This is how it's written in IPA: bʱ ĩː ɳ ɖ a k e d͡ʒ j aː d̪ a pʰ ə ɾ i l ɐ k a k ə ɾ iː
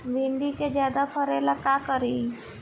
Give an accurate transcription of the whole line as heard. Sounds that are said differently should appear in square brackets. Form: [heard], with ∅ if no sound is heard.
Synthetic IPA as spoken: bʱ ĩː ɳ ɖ [i] k e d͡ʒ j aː d̪ a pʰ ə ɾ [e] l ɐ k a k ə ɾ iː